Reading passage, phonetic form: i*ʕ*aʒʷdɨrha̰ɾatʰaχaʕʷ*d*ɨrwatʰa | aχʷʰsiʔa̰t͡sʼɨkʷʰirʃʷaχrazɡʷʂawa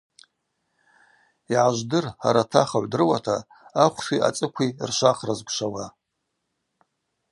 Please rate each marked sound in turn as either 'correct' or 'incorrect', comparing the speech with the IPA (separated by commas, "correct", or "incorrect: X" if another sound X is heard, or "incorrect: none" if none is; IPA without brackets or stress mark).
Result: correct, correct